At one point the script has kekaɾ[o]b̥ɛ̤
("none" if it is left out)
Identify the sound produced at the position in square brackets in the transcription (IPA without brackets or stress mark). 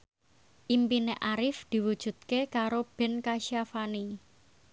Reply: o